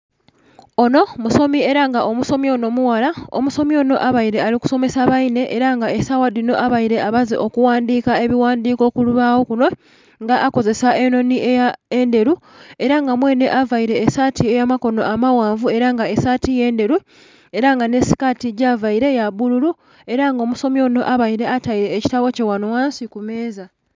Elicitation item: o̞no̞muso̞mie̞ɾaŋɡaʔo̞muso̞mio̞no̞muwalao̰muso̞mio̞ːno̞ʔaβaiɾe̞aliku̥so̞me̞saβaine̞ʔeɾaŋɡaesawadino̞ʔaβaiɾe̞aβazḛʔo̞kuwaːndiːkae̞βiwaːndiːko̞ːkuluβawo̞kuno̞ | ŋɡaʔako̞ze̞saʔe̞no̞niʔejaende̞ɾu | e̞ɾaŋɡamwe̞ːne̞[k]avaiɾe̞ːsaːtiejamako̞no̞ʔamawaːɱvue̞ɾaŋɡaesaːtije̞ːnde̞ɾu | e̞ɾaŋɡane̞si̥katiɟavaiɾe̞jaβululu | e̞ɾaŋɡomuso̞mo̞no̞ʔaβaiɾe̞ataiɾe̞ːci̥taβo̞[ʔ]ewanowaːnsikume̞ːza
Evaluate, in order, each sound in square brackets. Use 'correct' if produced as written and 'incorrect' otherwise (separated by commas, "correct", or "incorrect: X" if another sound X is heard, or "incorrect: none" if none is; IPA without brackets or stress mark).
incorrect: ʔ, incorrect: c